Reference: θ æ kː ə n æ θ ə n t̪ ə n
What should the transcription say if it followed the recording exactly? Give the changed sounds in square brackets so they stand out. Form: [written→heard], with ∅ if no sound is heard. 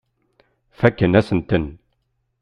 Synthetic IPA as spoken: [θ→f] æ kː ə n æ [θ→s] ə n t̪ ə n